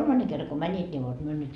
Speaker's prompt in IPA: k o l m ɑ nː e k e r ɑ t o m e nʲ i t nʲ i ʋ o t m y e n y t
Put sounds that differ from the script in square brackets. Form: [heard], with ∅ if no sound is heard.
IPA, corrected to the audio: k o l m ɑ nː e k e [rː] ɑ [k] o m [æ] nʲ i t nʲ i ʋ o t m y [ø] n y t